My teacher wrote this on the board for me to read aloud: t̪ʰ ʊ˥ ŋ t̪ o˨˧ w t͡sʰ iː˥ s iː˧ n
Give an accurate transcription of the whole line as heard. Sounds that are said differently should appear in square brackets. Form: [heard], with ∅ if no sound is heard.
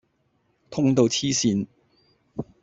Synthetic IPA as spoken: t̪ʰ ʊ˥ ŋ t̪ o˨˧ w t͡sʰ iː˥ s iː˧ n